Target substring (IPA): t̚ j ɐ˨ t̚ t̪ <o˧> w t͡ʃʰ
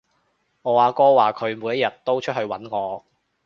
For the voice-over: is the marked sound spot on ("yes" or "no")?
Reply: no